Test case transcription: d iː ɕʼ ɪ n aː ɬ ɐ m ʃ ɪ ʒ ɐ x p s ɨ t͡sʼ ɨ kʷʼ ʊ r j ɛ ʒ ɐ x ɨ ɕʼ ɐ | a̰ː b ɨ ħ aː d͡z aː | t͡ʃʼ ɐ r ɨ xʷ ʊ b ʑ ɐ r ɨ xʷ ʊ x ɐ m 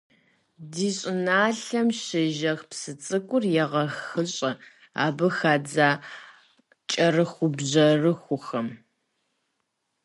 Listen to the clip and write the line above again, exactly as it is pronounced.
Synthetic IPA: d iː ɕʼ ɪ n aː ɬ ɐ m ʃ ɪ ʒ ɐ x p s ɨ t͡sʼ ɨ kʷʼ ʊ r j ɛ ʁ ɐ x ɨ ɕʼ ɐ | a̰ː b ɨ x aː d͡z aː | t͡ʃʼ ɐ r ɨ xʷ ʊ b ʑ ɐ r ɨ xʷ ʊ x ɐ m